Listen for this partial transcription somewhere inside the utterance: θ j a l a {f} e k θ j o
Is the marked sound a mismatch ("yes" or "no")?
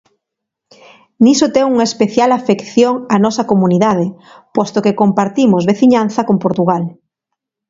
no